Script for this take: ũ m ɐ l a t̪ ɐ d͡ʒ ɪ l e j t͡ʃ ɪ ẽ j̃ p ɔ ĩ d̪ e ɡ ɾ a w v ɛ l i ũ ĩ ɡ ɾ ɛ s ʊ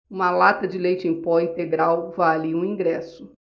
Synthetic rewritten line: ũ m ɐ l a t̪ ɐ d͡ʒ ɪ l e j t͡ʃ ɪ ẽ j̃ p ɔ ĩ t̪ e ɡ ɾ a w v a l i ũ ĩ ɡ ɾ ɛ s ʊ